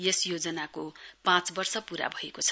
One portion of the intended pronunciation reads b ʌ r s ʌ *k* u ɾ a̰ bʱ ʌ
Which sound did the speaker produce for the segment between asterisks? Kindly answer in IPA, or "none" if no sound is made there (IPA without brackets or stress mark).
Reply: p